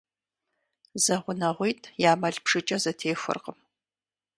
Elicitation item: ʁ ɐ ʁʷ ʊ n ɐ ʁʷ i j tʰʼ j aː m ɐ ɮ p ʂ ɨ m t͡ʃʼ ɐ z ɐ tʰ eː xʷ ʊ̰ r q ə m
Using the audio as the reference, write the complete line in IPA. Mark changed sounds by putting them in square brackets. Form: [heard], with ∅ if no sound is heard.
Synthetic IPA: [z] ɐ ʁʷ ʊ n ɐ ʁʷ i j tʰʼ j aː m ɐ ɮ p ʂ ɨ [∅] t͡ʃʼ ɐ z ɐ tʰ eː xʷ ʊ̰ r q ə m